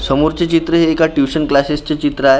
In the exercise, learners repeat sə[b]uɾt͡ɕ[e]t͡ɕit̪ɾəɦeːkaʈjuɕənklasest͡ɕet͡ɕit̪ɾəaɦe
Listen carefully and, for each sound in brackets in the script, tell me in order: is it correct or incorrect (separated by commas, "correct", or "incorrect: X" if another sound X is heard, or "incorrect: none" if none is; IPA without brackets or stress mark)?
incorrect: m, correct